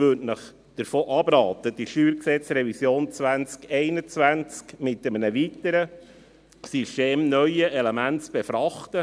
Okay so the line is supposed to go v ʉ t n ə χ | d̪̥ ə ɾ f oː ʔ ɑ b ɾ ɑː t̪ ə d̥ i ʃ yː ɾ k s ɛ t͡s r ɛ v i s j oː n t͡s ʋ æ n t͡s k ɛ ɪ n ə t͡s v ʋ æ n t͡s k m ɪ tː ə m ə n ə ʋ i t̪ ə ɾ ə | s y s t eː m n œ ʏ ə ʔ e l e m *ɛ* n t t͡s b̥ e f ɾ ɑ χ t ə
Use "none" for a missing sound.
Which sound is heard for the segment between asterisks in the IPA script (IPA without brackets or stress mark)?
æ